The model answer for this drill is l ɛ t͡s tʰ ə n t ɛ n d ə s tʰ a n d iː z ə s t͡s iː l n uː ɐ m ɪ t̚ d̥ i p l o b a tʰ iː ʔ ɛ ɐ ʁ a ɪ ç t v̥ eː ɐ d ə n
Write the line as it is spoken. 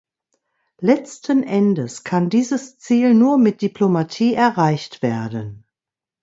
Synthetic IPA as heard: l ɛ t͡s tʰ ə n ʔ ɛ n d ə s kʰ a n d iː z ə s t͡s iː l n uː ɐ m ɪ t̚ d̥ i p l o m a tʰ iː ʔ ɛ ɐ ʁ a ɪ ç t v̥ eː ɐ d ə n

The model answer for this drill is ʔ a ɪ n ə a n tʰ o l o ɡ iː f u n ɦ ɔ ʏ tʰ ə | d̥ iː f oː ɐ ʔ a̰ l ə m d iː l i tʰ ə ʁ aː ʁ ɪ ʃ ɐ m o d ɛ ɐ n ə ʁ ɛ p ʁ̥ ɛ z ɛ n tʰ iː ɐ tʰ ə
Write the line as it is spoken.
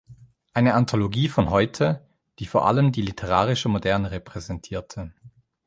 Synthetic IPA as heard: ʔ a ɪ n ə a n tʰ o l o ɡ iː f ɔ n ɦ ɔ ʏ tʰ ə | d̥ iː f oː ɐ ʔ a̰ l ə m d iː l i tʰ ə ʁ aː ʁ ɪ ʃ ə m o d ɛ ɐ n ə ʁ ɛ p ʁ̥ ɛ z ɛ n tʰ iː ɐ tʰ ə

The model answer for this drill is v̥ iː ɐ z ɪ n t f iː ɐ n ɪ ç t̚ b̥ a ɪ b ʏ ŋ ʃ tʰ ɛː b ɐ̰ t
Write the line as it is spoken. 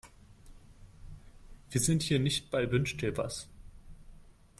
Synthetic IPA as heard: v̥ iː ɐ z ɪ n t h iː ɐ n ɪ ç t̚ b̥ a ɪ b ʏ n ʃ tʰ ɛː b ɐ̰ s

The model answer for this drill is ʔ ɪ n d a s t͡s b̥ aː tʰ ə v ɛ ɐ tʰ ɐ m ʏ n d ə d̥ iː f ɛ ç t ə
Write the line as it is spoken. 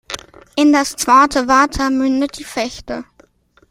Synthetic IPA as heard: ʔ ɪ n d a s t͡s v̥ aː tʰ ə v a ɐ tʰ ɐ m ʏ n d ə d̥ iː f ɛ ç t ə

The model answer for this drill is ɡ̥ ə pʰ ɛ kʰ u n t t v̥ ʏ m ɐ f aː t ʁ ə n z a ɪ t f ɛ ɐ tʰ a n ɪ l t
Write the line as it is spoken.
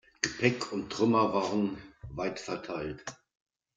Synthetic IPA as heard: ɡ̥ ə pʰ ɛ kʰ ʊ n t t ʁ̥ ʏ m ɐ v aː ʁ ə n v a ɪ t f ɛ ɐ tʰ a ɪ l t

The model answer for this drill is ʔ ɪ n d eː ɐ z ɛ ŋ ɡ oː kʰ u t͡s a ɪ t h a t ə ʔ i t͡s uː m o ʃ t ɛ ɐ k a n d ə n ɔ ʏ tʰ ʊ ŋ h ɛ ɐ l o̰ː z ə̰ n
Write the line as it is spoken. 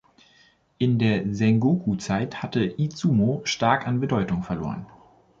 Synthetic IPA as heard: ʔ ɪ n d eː ɐ z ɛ ŋ ɡ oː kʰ u t͡s a ɪ t h a t ə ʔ i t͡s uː m o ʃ t a ɐ k a n b ə d ɔ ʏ t ʊ ŋ f ɛ ɐ l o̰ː ʁ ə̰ n

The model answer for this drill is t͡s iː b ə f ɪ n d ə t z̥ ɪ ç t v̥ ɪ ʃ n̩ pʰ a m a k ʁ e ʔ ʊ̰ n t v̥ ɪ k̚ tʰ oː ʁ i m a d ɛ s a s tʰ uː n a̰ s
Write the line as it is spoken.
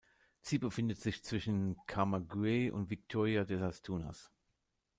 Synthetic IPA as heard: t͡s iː b ə f ɪ n d ə t z̥ ɪ ç t͡s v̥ ɪ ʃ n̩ kʰ a m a ɡ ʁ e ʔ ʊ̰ n t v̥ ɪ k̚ tʰ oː ʁ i a d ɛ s a s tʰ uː n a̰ s

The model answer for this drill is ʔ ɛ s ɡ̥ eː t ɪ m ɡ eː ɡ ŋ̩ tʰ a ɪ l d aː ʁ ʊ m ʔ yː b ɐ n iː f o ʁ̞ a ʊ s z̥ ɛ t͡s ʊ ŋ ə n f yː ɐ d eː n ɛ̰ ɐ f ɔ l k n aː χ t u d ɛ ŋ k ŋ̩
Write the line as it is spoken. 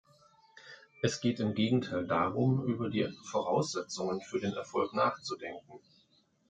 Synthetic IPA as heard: ʔ ɛ s ɡ̥ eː t ɪ m ɡ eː ɡ ŋ̩ tʰ a ɪ l d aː ʁ ʊ m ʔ yː b ɐ d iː f o ʁ̞ a ʊ s z̥ ɛ t͡s ʊ ŋ ə n f yː ɐ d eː n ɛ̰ ɐ f ɔ l k n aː χ t͡s u d ɛ ŋ k ŋ̩

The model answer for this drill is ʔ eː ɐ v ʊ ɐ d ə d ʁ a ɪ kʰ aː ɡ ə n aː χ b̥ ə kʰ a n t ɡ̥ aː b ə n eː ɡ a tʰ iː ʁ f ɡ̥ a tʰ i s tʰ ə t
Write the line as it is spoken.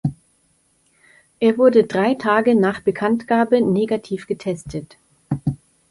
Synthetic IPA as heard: ʔ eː ɐ v ʊ ɐ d ə d ʁ a ɪ tʰ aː ɡ ə n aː χ b̥ ə kʰ a n t ɡ̥ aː b ə n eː ɡ a tʰ iː f ɡ̥ ə tʰ ɛ s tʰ ə t

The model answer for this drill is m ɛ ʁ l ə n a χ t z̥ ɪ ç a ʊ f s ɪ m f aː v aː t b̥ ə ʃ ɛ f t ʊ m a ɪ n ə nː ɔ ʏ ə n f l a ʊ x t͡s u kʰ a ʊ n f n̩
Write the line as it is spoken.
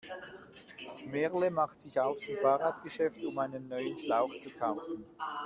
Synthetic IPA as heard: m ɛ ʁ l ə m a χ t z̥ ɪ ç a ʊ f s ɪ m f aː ʁ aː t ɡ̥ ə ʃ ɛ f t ʊ m a ɪ n ə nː ɔ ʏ ə n ʃ l a ʊ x t͡s u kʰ a ʊ f n̩

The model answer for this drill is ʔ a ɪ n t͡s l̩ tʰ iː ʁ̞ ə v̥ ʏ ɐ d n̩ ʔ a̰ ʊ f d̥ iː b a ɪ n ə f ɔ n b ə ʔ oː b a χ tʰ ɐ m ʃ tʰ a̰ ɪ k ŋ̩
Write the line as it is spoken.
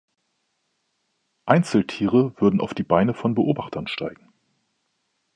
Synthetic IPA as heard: ʔ a ɪ n t͡s l̩ tʰ iː ʁ̞ ə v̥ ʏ ɐ d n̩ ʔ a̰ ʊ f d̥ iː b a ɪ n ə f ɔ n b ə ʔ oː b a χ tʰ ɐ n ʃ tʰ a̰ ɪ ɡ ŋ̩

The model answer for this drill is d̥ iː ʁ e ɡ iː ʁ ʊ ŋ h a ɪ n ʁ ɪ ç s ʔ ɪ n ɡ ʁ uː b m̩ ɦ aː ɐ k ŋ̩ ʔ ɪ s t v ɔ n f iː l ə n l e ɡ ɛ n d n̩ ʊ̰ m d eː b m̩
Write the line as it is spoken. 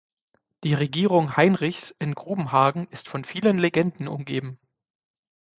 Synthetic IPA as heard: d̥ iː ʁ e ɡ iː ʁ ʊ ŋ h a ɪ n ʁ ɪ ç s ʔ ɪ n ɡ ʁ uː b m̩ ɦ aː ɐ ɡ ŋ̩ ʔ ɪ s t f ɔ n f iː l ə n l e ɡ ɛ n d n̩ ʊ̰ m ɡ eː b m̩

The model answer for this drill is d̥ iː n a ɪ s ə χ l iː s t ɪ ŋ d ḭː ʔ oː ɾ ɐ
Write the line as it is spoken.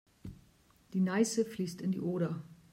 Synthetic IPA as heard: d̥ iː n a ɪ s ə f l iː s t ɪ n d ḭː ʔ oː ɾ ɐ

